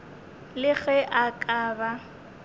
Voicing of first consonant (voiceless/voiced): voiced